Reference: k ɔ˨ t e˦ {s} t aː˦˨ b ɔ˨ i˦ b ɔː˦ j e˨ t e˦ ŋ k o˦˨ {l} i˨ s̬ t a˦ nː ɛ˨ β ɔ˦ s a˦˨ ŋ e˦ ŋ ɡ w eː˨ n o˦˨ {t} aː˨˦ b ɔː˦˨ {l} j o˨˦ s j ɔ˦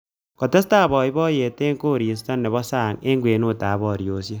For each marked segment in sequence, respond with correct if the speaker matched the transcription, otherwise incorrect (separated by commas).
correct, incorrect, correct, incorrect